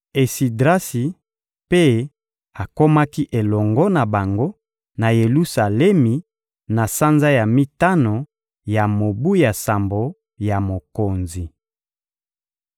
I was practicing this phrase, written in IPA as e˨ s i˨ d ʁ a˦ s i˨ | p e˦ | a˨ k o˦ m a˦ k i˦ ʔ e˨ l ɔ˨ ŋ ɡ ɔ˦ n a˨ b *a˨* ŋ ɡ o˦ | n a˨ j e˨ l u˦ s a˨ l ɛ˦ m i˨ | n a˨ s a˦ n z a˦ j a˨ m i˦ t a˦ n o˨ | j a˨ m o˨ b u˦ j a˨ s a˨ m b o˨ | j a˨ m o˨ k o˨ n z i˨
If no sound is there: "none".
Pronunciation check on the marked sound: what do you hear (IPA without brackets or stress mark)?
a˨